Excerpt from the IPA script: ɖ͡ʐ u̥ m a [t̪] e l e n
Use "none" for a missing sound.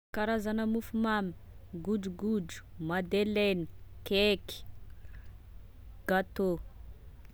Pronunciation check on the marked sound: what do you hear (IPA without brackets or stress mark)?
d̪